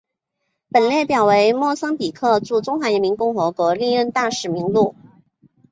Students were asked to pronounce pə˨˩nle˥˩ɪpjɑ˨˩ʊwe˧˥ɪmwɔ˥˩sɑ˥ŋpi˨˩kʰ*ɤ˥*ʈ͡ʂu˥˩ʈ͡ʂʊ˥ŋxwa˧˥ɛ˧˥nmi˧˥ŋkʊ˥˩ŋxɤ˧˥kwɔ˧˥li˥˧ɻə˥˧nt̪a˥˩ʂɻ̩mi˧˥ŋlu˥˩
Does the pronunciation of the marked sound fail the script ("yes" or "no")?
yes